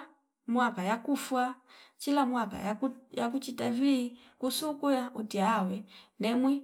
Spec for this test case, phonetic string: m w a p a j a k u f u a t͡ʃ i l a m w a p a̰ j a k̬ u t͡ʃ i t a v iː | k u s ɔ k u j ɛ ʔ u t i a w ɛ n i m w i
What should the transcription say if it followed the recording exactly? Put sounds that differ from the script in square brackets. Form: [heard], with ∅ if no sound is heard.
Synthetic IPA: m w a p a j a k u f [w] a t͡ʃ i l a m w a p a̰ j a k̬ u t͡ʃ i t a v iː | k u s [u] k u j [a] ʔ u t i a w ɛ n [ɛ] m w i